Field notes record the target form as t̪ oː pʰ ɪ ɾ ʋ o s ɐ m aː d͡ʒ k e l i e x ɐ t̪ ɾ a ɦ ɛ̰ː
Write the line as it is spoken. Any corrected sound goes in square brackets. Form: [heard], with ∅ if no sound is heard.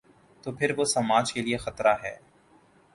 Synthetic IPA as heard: t̪ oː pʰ ɪ ɾ ʋ o s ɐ m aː d͡ʒ k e l i e x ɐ t̪ ɾ a ɦ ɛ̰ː